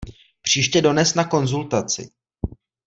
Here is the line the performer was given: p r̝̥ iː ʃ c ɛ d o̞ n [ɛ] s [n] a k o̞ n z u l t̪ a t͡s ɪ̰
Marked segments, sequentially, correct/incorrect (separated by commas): correct, correct